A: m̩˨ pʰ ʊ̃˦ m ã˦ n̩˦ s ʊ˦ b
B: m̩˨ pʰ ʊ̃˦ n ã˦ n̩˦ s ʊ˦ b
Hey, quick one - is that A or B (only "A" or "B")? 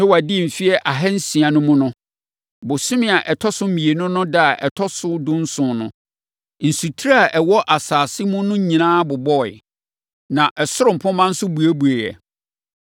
A